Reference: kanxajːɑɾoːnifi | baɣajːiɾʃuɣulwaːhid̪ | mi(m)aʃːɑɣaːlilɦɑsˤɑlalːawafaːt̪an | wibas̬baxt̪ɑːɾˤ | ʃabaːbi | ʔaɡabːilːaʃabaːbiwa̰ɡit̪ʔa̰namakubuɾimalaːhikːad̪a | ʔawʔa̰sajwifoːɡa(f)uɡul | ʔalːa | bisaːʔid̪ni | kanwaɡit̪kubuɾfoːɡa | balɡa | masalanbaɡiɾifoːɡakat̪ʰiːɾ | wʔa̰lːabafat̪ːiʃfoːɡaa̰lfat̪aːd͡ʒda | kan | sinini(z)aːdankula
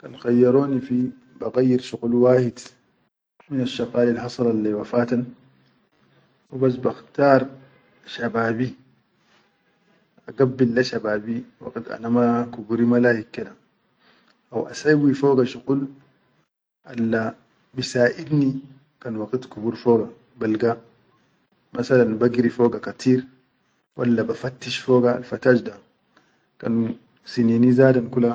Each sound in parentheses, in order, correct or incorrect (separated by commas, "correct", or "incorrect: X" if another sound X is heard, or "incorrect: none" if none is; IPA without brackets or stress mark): incorrect: n, incorrect: ʃ, correct